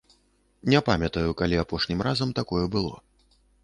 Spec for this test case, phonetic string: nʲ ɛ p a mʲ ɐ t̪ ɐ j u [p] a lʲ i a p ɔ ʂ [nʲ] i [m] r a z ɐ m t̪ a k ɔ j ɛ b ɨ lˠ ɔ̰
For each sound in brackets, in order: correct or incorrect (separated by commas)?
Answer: incorrect, correct, correct